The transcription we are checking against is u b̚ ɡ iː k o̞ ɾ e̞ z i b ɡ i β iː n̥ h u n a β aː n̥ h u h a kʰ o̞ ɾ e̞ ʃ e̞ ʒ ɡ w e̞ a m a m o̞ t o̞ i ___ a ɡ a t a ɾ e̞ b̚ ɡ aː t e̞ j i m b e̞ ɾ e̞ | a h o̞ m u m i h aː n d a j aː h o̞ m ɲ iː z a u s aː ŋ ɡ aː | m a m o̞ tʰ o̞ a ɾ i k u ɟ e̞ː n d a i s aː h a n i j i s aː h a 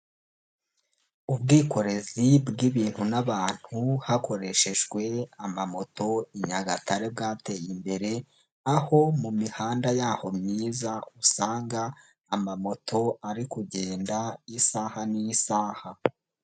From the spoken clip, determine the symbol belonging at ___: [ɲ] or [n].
ɲ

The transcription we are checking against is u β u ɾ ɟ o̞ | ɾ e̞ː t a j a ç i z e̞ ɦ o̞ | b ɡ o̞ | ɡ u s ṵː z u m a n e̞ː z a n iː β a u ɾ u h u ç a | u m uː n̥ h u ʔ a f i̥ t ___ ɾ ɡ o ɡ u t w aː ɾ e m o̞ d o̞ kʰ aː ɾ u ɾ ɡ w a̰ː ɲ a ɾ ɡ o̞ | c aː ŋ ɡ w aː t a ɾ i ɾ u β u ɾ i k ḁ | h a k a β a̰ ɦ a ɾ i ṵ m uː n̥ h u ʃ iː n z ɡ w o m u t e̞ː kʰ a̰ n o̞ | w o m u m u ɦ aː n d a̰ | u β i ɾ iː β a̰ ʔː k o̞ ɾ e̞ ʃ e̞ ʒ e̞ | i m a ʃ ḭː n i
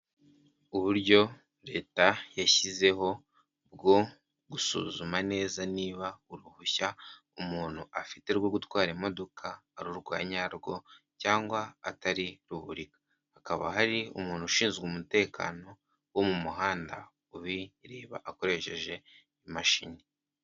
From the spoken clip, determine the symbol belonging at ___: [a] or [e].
e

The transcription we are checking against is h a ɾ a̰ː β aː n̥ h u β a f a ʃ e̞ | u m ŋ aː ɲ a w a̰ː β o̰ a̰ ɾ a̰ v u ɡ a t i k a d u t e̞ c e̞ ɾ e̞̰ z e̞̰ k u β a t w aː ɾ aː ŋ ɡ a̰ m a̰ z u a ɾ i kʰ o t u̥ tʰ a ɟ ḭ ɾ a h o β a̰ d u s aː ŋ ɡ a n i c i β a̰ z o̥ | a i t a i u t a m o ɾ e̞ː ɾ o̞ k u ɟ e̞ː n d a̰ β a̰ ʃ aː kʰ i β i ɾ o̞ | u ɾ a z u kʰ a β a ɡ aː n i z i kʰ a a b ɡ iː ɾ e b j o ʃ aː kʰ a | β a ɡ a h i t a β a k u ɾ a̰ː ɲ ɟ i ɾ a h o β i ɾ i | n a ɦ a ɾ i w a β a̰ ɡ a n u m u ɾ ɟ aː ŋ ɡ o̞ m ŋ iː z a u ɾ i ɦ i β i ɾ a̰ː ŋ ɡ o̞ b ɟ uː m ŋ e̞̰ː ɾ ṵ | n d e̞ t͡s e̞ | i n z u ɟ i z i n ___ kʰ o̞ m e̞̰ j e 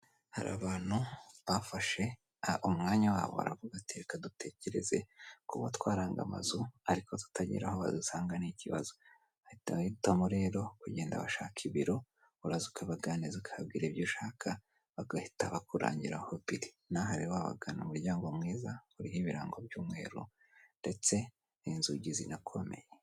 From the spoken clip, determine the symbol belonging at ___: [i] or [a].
a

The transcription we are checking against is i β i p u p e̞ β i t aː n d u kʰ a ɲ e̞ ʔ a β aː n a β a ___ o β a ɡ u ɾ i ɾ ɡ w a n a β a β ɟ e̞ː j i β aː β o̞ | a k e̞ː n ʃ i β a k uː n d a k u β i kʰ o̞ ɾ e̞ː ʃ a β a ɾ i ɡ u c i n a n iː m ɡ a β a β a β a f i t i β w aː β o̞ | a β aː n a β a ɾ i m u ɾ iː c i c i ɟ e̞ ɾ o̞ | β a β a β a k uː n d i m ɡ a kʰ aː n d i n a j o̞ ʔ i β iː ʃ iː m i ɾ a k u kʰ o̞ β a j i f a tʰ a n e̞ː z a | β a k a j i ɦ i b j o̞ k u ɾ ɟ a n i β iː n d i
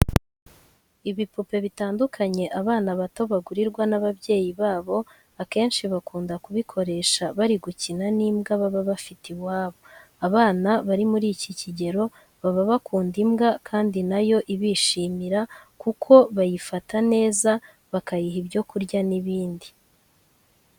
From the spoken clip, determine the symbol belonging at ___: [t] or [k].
t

